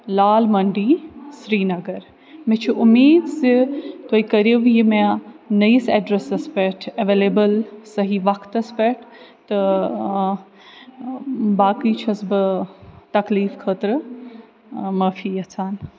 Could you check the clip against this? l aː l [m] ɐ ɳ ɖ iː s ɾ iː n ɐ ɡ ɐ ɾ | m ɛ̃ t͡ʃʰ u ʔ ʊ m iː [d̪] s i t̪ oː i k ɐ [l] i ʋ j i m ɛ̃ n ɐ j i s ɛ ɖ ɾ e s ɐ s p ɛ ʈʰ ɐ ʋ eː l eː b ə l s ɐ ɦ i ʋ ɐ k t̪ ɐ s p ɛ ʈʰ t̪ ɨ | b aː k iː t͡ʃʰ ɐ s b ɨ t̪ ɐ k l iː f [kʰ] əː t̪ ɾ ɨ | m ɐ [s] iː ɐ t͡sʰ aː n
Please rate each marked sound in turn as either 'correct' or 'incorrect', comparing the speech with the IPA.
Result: correct, correct, incorrect, correct, incorrect

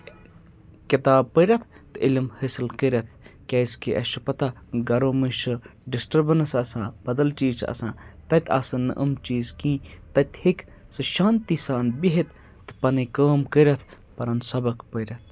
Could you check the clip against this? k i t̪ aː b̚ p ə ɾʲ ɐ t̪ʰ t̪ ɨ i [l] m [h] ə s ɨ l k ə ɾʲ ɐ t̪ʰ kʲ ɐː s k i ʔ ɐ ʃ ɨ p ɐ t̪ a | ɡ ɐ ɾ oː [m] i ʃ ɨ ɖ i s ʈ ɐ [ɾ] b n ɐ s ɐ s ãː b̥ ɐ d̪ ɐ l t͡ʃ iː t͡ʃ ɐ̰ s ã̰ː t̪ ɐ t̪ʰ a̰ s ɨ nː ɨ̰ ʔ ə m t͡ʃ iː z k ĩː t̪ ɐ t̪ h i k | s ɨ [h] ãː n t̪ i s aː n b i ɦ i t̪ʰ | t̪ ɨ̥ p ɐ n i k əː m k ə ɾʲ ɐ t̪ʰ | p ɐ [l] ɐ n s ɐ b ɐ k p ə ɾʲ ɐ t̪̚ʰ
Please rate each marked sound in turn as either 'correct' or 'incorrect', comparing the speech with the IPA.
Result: correct, correct, correct, correct, incorrect, incorrect

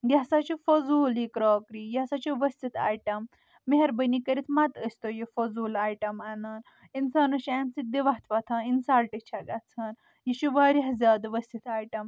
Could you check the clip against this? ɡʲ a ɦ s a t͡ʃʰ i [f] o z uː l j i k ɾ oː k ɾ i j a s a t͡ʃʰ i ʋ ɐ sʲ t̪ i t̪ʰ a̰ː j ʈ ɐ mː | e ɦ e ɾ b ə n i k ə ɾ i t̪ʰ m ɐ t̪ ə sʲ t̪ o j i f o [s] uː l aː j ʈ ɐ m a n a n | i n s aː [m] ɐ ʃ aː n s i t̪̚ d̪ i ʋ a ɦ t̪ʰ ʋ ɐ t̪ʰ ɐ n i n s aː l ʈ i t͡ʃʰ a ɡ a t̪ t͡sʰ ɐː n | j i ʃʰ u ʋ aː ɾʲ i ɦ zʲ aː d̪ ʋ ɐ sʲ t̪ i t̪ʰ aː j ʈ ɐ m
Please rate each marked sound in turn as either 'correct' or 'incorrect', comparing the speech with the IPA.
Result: correct, incorrect, incorrect

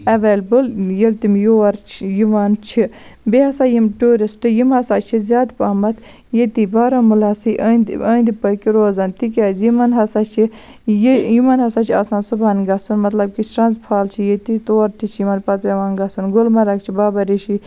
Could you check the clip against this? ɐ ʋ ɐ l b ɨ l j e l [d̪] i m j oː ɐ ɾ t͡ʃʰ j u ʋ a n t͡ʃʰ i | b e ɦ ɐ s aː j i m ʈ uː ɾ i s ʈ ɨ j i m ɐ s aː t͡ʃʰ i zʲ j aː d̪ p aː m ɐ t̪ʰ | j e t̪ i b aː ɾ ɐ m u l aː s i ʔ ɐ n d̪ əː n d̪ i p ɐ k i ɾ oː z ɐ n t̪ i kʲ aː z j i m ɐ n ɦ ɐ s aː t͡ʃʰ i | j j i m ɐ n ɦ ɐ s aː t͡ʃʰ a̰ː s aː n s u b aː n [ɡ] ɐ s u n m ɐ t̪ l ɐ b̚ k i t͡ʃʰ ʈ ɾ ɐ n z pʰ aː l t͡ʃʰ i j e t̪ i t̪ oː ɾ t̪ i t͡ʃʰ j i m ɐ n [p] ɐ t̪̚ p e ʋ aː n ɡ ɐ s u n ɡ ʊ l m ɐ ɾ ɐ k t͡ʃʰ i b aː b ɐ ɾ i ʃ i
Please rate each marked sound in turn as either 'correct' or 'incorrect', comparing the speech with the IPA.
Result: incorrect, correct, correct

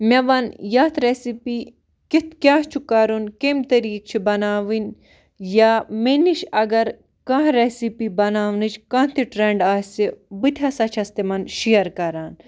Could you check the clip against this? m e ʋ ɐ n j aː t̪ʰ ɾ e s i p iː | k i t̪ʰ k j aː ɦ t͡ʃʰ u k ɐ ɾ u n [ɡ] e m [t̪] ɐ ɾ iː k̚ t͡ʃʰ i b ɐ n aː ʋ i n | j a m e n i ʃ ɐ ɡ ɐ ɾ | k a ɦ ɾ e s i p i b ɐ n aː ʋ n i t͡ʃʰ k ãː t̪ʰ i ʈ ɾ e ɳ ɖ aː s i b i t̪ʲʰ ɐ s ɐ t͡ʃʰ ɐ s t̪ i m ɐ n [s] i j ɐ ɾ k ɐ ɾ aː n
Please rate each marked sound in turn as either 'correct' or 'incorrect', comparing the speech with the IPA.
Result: incorrect, correct, incorrect

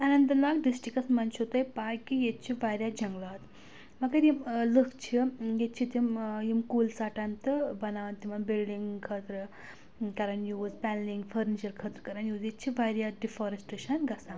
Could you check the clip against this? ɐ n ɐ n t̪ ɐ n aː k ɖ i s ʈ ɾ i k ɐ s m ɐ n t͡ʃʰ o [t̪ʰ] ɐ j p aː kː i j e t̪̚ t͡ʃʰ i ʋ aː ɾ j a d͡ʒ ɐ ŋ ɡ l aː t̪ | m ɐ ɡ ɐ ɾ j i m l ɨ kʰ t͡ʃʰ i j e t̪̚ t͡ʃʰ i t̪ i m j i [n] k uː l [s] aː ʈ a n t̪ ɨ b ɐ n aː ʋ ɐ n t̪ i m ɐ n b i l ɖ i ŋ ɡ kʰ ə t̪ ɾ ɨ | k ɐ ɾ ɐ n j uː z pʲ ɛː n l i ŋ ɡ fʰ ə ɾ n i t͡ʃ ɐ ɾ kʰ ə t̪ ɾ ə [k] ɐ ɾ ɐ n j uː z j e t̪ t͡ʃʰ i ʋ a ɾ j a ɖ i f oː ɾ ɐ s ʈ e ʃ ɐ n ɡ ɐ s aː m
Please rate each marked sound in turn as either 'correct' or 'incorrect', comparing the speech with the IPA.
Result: incorrect, incorrect, correct, correct

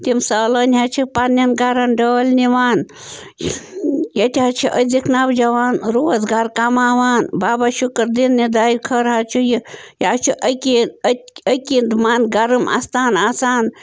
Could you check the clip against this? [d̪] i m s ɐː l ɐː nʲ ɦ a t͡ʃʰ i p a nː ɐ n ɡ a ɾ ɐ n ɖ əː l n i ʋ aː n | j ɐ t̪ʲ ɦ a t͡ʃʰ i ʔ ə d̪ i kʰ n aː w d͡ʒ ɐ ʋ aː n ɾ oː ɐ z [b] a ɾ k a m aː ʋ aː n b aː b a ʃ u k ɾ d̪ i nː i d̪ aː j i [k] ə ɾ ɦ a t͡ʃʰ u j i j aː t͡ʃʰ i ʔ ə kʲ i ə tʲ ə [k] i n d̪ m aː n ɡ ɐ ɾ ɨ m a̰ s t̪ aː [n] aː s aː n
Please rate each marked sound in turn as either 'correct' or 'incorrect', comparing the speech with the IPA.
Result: incorrect, incorrect, incorrect, correct, correct

